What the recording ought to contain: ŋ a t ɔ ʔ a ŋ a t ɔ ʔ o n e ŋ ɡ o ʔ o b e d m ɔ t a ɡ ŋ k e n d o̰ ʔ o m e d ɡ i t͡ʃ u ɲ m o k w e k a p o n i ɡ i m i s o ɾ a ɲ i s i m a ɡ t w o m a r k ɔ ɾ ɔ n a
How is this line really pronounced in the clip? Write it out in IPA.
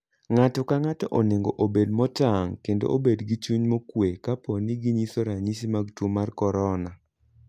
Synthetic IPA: ŋ a t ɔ k a ŋ a t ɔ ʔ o n e ŋ ɡ o ʔ o b e d m ɔ t a ŋ k e n d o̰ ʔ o b e d ɡ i t͡ʃ u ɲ m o k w e k a p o n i ɡ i ɲ i s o ɾ a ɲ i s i m a ɡ t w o m a r k ɔ ɾ ɔ n a